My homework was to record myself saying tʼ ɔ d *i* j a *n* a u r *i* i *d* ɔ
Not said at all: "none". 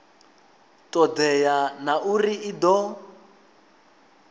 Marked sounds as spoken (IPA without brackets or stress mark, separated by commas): ɛ, n, i, d